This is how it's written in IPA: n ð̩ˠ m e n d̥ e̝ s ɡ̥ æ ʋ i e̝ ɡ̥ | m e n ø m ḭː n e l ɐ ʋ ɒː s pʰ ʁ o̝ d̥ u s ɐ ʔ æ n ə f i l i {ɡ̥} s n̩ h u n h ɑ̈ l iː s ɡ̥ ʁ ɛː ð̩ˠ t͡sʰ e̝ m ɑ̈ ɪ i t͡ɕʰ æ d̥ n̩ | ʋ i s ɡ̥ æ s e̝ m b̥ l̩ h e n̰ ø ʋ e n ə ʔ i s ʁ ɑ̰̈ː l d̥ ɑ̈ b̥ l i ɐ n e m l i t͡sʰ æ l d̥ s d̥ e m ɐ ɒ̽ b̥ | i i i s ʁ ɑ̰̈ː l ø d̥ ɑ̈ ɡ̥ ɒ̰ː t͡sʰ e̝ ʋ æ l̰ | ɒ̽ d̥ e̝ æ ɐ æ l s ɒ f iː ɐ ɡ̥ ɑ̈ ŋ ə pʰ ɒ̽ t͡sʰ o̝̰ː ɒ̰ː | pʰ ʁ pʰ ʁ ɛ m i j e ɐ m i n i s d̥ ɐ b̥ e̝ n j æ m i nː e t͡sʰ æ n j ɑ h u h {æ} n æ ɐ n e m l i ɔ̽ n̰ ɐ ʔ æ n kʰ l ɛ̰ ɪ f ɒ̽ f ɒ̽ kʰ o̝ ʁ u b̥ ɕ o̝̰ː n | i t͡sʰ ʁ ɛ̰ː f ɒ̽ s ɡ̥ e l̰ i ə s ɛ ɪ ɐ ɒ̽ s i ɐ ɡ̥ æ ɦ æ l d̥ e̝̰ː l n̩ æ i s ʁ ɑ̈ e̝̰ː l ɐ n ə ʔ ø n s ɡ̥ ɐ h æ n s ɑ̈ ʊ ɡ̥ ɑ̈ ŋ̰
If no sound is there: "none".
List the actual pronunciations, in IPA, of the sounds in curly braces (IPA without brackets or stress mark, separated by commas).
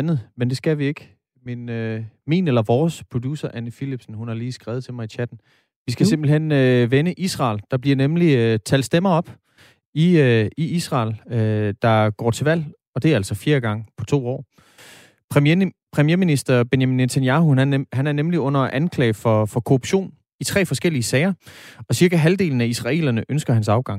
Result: b̥, æ